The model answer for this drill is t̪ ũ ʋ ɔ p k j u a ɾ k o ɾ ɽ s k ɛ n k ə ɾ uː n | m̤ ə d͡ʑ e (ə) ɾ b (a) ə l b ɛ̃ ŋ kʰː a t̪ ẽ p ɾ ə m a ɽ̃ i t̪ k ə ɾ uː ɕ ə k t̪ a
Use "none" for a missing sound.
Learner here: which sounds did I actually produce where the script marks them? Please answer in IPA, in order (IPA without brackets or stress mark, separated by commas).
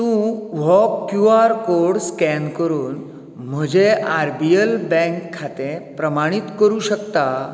a, i